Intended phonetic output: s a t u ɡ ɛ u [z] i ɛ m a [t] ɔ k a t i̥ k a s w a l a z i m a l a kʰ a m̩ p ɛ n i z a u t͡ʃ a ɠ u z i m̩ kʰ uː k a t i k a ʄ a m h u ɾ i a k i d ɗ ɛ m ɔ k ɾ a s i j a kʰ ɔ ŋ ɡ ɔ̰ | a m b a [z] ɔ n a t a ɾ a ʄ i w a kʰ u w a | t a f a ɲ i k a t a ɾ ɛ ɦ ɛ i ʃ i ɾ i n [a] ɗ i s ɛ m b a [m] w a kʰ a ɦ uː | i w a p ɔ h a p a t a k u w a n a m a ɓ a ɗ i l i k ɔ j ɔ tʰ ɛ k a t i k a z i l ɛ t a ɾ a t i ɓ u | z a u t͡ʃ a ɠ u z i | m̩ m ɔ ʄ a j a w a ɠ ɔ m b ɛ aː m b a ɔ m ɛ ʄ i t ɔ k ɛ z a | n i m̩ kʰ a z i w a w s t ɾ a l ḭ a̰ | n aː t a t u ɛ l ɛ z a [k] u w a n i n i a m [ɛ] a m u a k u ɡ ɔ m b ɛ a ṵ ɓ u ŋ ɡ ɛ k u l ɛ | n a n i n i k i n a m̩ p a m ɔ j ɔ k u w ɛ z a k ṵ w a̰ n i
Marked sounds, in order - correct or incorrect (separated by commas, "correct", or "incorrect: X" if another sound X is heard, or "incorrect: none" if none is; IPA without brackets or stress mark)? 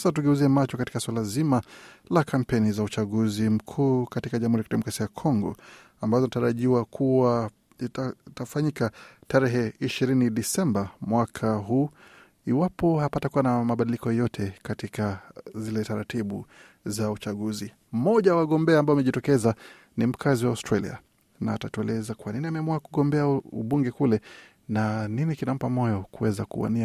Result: correct, incorrect: t͡ʃ, correct, incorrect: i, correct, correct, correct